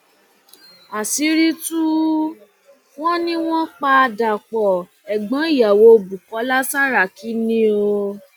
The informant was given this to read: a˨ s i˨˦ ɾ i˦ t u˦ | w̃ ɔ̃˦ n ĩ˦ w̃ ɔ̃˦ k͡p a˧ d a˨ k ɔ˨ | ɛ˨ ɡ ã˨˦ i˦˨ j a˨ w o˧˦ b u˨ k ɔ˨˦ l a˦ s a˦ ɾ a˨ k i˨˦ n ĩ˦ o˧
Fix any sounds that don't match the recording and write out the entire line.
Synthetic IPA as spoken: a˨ s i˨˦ ɾ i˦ t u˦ | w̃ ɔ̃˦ n ĩ˦ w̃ ɔ̃˦ k͡p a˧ d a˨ k͡p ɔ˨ | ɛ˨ ɡ͡b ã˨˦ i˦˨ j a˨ w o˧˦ b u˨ k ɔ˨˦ l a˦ s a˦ ɾ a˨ k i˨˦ n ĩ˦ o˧